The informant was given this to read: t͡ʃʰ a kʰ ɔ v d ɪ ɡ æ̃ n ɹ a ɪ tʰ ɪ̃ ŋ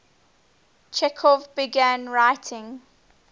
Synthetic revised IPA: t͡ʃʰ ɛ kʰ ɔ v b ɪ ɡ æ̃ n ɹ a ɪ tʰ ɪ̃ ŋ